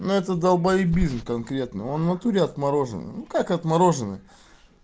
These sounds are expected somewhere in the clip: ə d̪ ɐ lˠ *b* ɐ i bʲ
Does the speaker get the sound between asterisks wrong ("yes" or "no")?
no